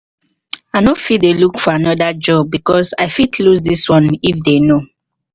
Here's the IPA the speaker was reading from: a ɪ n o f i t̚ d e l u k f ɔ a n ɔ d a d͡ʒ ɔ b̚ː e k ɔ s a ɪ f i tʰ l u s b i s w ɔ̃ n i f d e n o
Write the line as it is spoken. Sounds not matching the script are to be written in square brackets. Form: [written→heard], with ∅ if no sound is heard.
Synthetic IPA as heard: a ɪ n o f i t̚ d e l u k f ɔ a n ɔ d a d͡ʒ ɔ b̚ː [e→i] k ɔ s a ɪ f i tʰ l u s [b→d] i s w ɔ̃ n i f d e n o